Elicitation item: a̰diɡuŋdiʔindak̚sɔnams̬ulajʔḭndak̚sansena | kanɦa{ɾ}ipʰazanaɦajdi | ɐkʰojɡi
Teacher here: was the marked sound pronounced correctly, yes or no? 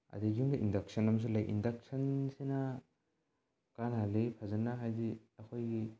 no